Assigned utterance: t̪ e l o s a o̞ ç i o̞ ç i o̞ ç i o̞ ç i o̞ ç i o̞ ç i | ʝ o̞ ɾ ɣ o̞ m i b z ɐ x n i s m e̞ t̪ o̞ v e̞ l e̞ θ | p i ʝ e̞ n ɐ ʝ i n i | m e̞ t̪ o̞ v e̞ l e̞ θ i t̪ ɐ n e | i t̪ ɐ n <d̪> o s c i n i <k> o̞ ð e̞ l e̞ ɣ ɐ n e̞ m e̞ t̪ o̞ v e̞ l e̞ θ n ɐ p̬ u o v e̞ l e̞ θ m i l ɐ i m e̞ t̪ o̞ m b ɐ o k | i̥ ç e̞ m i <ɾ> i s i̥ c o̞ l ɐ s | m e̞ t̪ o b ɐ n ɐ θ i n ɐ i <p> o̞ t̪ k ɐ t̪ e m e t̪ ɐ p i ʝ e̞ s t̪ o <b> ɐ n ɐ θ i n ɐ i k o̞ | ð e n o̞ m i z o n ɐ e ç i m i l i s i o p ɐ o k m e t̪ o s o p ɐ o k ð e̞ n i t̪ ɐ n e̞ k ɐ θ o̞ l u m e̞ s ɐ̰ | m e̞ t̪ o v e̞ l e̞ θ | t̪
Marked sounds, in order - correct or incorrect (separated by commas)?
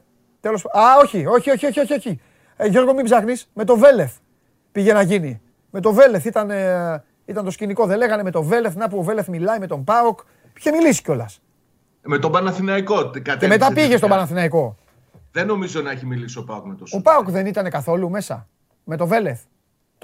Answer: incorrect, correct, incorrect, incorrect, correct